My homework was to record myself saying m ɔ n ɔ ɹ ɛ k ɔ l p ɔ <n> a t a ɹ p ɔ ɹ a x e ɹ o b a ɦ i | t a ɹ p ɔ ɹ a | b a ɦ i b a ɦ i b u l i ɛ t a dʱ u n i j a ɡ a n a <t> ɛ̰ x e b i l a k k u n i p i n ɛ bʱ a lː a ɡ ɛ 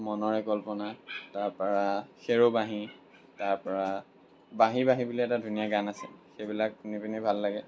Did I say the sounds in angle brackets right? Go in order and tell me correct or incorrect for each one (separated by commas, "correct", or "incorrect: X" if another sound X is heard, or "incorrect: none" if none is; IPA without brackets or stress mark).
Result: correct, incorrect: s